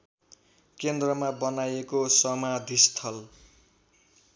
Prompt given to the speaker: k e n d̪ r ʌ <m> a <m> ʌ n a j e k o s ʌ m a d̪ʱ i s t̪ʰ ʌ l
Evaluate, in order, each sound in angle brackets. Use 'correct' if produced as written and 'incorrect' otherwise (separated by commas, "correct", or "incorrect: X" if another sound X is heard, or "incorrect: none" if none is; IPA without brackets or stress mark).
correct, incorrect: b